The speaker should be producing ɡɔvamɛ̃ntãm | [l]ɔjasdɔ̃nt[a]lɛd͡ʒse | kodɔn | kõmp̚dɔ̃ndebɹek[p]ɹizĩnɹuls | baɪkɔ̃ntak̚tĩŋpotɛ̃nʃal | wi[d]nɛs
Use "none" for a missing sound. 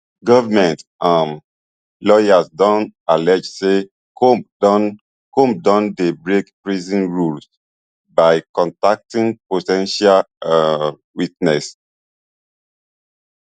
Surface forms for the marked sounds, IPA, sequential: l, a, p, t

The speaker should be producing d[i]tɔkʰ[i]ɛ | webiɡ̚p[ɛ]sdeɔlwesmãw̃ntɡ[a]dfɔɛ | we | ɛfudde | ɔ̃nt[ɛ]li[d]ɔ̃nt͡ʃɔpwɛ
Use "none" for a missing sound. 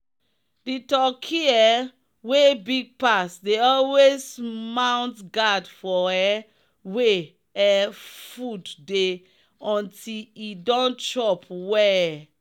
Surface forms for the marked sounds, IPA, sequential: i, i, a, a, i, d

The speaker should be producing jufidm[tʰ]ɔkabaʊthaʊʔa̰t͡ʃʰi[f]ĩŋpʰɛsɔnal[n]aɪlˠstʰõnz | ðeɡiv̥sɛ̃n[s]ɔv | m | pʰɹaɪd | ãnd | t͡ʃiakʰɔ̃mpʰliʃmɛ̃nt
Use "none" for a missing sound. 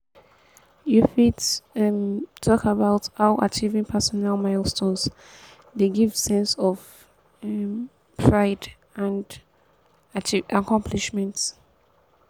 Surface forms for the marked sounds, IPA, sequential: tʰ, v, m, s

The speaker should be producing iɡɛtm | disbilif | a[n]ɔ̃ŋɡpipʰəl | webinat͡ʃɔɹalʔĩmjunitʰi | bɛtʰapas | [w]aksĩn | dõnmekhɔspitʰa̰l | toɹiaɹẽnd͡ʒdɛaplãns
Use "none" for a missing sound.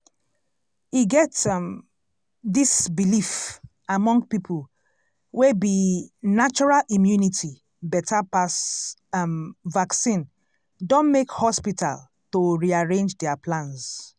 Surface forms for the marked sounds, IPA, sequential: m, v

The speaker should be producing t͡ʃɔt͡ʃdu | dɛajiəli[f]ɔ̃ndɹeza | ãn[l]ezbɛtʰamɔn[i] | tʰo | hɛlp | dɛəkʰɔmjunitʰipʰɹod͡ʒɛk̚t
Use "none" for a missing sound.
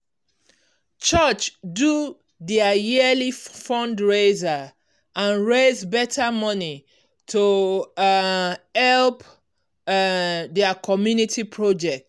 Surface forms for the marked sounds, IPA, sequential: f, ɹ, i

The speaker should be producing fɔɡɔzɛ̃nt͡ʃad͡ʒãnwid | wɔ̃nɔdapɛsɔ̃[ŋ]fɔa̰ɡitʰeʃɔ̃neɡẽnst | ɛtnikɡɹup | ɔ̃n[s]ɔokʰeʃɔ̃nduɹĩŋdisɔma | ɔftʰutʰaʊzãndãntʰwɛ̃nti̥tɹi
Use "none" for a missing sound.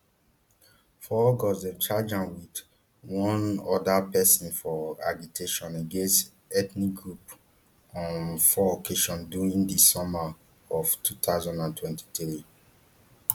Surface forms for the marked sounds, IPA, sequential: n, f

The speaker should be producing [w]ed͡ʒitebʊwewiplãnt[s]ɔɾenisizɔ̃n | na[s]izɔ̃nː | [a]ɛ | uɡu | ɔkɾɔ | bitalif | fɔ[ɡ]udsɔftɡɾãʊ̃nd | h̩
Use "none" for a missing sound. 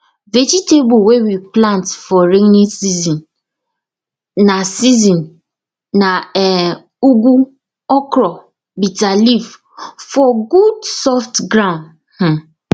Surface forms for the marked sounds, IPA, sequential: v, f, s, a, ɡ

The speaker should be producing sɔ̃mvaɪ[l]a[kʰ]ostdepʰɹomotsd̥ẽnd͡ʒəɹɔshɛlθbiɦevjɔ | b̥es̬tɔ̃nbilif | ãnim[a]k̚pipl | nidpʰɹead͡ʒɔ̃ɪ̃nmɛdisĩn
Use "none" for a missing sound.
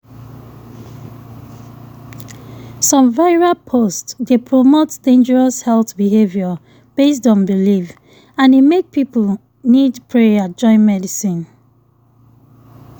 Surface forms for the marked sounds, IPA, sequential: ɹ, pʰ, e

